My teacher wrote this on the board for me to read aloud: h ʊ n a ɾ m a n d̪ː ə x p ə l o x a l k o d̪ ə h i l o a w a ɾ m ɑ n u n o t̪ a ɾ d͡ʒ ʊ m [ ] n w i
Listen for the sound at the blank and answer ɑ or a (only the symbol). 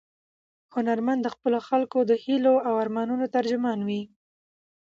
ɑ